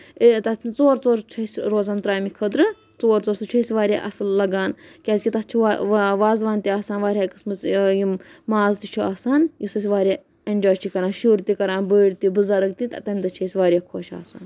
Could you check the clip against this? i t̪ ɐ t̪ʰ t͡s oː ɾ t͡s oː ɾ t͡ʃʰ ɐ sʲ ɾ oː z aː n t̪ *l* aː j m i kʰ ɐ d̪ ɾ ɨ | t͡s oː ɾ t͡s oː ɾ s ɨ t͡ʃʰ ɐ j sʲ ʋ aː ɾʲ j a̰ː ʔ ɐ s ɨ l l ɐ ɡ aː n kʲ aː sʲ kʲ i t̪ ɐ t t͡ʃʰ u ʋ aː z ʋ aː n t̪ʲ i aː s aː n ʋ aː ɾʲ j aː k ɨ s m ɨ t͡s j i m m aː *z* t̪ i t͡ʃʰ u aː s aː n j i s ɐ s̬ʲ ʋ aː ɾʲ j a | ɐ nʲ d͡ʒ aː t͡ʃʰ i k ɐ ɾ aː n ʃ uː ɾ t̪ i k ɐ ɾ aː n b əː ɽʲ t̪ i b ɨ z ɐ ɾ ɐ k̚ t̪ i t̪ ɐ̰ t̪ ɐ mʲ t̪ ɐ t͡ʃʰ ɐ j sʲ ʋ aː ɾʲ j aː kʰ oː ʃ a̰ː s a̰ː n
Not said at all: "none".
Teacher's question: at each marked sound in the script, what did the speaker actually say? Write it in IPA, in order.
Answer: ɾ, z

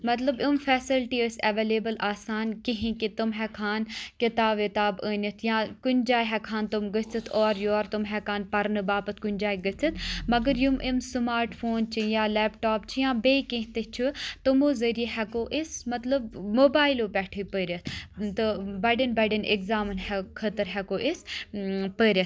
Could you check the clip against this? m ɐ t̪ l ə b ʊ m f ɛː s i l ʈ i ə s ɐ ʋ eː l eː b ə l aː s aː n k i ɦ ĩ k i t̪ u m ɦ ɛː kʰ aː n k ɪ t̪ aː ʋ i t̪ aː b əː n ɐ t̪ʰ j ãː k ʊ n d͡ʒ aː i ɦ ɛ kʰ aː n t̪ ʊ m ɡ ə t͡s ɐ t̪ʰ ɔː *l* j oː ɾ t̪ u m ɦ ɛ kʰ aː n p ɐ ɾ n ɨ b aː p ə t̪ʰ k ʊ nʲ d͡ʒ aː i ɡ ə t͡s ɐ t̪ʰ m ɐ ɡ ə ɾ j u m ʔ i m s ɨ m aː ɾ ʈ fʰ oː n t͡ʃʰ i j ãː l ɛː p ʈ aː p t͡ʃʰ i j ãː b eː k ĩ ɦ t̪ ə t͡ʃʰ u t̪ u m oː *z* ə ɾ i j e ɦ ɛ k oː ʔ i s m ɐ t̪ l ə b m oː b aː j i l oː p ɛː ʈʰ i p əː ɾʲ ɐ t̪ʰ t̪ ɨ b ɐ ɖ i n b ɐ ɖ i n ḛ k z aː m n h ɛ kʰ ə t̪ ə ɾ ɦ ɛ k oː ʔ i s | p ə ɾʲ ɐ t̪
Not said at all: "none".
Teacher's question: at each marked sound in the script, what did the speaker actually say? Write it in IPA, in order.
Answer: ɾ, z

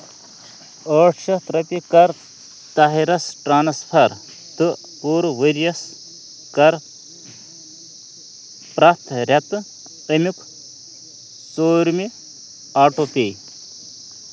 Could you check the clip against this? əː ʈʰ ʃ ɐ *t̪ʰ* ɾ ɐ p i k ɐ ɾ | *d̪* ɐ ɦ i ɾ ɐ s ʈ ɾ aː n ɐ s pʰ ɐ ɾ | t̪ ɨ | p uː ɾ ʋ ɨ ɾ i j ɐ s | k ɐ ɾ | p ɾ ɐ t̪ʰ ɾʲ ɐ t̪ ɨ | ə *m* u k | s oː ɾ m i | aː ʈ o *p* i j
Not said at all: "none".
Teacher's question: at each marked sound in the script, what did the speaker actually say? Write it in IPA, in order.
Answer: t̪, t̪, m, p

